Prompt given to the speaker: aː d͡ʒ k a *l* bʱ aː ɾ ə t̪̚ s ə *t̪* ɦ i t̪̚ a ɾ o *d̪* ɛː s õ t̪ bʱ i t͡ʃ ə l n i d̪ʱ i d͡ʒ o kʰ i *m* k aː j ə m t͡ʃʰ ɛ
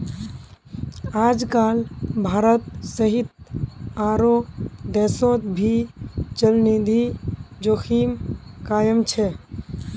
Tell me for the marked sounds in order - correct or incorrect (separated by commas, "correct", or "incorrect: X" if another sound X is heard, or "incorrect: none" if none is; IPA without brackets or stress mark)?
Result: correct, incorrect: none, correct, correct